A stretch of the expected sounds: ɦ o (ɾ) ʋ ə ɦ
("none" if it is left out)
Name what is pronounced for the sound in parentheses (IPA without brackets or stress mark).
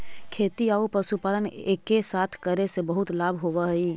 none